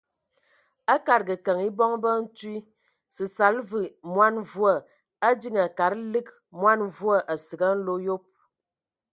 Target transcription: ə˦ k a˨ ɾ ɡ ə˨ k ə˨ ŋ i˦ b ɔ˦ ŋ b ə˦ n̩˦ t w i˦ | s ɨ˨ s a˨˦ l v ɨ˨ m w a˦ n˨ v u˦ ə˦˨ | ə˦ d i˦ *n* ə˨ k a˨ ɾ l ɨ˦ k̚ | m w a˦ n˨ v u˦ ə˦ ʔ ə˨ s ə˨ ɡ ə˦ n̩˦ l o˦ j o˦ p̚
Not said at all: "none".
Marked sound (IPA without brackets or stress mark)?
ŋ